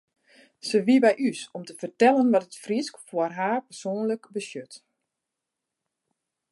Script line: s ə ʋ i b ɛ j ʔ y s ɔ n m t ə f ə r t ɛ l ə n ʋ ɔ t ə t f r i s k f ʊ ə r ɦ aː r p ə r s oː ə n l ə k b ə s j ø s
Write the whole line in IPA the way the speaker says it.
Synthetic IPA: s ə ʋ i b ɛ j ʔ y s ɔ m t ə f ə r t ɛ l ə n ʋ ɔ t ə t f r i s k f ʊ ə r ɦ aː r p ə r s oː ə n l ə k b ə s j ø t